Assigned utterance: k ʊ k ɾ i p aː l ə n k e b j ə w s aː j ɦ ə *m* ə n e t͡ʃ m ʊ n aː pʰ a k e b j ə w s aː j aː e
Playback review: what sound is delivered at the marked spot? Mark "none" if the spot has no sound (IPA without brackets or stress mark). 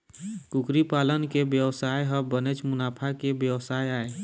b